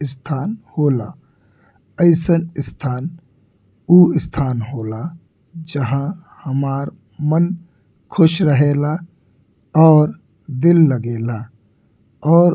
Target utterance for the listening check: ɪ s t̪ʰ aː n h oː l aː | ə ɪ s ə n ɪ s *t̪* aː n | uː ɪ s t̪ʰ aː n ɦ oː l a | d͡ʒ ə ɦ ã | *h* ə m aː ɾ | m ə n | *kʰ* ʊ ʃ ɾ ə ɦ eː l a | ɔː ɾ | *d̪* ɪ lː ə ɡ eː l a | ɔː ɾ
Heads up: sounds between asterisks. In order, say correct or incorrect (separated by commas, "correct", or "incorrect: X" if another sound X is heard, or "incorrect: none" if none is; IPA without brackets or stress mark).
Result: incorrect: t̪ʰ, correct, correct, correct